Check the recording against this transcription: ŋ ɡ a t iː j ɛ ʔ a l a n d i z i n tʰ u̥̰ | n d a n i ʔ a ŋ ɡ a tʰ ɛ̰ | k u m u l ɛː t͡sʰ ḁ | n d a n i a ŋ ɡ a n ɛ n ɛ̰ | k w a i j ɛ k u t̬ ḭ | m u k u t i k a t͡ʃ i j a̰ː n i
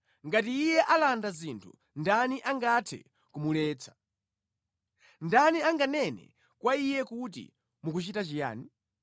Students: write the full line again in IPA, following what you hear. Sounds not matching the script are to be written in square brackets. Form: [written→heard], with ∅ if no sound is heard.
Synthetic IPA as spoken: ŋ ɡ a t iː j ɛ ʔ a l a n d [i→a] z i n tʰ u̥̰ | n d a n i ʔ a ŋ ɡ a tʰ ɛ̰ | k u m u l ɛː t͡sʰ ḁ | n d a n i a ŋ ɡ a n ɛ n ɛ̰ | k w a i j ɛ k u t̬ ḭ | m u k u [t→t͡ʃ] i [k→t] a t͡ʃ i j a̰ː n i